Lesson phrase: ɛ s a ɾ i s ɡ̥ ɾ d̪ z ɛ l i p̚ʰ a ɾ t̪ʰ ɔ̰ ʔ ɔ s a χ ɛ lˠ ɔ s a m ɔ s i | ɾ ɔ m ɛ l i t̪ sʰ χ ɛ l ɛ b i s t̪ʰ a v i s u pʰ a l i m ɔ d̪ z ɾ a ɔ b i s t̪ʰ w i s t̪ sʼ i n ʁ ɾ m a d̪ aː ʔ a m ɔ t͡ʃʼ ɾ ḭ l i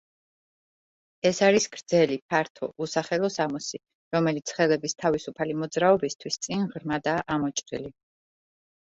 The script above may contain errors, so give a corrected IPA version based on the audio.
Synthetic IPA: ɛ s a ɾ i s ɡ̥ ɾ d̪ z ɛ l i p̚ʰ a ɾ t̪ʰ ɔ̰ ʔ u s a χ ɛ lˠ ɔ s a m ɔ s i | ɾ ɔ m ɛ l i t̪ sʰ χ ɛ l ɛ b i s t̪ʰ a v i s u pʰ a l i m ɔ d̪ z ɾ a ɔ b i s t̪ʰ w i s t̪ sʼ i n ʁ ɾ m a d̪ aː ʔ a m ɔ t͡ʃʼ ɾ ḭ l i